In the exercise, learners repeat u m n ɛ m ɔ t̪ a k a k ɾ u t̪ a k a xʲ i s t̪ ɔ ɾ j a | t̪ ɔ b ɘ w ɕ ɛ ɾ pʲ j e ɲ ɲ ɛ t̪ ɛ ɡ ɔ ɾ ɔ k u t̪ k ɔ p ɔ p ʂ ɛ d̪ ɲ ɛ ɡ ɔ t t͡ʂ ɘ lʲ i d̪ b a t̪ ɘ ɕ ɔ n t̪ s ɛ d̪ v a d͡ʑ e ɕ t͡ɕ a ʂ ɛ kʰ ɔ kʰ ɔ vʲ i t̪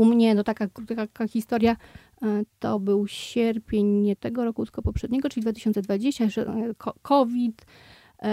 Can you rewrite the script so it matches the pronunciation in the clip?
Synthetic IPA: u m ɲ ɛ n ɔ t̪ a k a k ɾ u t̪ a k a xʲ i s t̪ ɔ ɾ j a | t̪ ɔ b ɘ w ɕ ɛ ɾ pʲ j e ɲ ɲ ɛ t̪ ɛ ɡ ɔ ɾ ɔ k u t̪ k ɔ p ɔ p ʂ ɛ d̪ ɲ ɛ ɡ ɔ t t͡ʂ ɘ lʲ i d̪ v a t̪ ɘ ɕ ɔ n t̪ s ɛ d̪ v a d͡ʑ e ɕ t͡ɕ a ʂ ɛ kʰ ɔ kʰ ɔ vʲ i t̪